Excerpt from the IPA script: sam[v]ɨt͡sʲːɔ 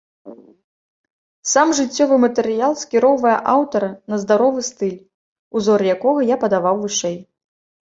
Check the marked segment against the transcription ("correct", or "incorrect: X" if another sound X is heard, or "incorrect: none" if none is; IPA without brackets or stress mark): incorrect: ʐ